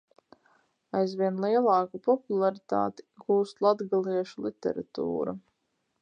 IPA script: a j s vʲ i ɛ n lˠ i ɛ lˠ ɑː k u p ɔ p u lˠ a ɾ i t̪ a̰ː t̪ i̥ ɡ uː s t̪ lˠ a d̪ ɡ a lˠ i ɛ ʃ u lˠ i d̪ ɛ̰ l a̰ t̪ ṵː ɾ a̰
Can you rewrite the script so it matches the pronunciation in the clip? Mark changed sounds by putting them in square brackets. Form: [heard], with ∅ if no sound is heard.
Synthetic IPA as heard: a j [z] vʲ i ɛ n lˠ i ɛ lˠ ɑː k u p ɔ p u lˠ a ɾ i t̪ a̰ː t̪ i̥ ɡ uː s t̪ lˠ a d̪ ɡ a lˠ i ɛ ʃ u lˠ i [t̪] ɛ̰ [ɾ] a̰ t̪ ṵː ɾ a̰